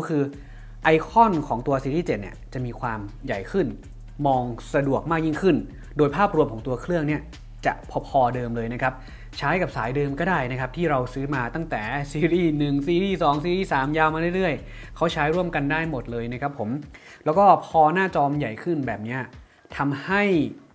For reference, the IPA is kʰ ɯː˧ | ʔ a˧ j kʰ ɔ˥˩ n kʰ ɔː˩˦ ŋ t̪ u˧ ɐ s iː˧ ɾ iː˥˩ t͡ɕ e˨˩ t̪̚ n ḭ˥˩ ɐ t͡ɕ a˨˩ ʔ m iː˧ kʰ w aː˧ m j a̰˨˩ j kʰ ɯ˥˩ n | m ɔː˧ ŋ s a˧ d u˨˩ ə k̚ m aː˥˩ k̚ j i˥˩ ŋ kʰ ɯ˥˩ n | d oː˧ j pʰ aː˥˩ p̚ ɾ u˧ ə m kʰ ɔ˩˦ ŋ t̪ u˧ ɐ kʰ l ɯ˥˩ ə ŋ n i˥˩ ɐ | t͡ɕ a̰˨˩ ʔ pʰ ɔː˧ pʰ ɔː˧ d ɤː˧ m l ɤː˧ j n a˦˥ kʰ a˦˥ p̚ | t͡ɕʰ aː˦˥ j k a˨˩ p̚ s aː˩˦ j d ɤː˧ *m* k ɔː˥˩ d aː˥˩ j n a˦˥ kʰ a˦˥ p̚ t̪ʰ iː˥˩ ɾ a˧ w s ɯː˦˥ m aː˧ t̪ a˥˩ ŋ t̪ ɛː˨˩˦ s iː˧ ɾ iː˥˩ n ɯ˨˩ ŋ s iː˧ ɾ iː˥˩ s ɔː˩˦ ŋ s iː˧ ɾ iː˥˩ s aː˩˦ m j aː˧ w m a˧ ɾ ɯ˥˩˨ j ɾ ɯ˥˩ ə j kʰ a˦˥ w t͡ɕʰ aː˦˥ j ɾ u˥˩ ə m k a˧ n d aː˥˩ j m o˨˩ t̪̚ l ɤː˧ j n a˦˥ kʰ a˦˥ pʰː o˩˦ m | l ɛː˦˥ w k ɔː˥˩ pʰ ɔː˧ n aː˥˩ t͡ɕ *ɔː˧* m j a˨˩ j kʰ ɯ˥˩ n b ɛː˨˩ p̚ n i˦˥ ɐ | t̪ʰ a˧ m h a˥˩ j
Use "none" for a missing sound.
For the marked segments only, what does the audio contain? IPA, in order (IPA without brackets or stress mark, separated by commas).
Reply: m, ɔː˧